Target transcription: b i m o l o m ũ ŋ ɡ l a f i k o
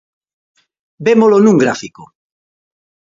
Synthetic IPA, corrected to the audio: b e m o l o n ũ ŋ ɡ ɾ a f i k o